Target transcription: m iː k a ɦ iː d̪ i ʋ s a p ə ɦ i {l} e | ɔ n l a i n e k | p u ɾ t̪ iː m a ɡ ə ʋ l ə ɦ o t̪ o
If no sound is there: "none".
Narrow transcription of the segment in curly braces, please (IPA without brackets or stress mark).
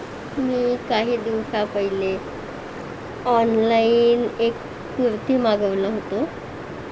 l